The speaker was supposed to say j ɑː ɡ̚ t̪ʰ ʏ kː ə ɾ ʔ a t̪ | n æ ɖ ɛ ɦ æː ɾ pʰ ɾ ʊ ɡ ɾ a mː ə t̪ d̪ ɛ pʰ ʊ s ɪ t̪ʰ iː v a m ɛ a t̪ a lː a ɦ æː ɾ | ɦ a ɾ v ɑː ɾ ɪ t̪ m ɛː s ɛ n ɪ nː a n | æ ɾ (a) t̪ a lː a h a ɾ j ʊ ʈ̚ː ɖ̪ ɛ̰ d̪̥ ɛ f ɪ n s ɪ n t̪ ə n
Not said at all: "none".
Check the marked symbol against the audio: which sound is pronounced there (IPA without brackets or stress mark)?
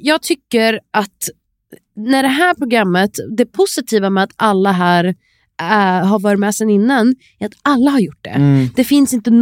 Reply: a